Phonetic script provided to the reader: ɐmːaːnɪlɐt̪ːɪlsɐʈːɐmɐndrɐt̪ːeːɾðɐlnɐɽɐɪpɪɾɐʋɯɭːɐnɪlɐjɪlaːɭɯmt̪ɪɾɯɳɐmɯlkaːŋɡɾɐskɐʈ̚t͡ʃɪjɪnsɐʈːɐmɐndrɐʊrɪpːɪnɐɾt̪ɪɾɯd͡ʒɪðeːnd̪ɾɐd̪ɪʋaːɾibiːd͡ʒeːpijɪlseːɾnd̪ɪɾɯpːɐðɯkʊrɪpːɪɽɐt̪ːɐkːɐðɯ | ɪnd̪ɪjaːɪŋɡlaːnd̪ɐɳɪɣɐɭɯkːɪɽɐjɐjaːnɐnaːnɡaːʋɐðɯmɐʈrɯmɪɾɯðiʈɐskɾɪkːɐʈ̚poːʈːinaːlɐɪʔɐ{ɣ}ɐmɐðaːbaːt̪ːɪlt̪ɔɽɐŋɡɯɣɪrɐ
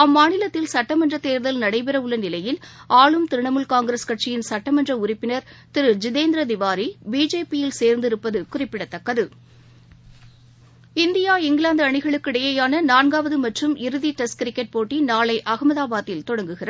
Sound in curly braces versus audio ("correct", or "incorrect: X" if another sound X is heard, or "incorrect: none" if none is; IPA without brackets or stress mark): correct